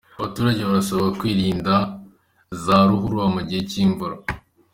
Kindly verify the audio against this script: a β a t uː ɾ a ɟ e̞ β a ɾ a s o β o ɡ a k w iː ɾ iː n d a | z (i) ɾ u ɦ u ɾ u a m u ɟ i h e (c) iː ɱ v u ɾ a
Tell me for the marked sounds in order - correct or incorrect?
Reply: incorrect: a, correct

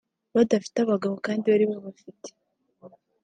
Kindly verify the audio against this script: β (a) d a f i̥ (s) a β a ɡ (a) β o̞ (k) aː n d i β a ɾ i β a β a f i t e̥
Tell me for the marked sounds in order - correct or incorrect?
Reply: correct, incorrect: t, correct, correct

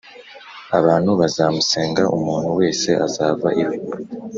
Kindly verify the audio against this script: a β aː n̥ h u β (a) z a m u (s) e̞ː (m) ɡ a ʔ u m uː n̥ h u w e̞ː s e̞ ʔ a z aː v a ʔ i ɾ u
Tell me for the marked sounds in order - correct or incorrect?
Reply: correct, correct, incorrect: ŋ

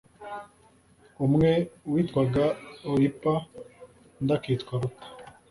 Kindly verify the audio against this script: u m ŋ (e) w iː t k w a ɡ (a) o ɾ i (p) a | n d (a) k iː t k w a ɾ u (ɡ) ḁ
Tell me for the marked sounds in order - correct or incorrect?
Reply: correct, correct, correct, correct, incorrect: k

